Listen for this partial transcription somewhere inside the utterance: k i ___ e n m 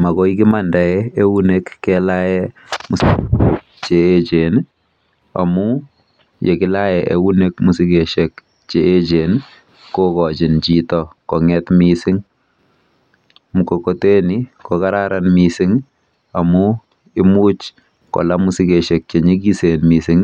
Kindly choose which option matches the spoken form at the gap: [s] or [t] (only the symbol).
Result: s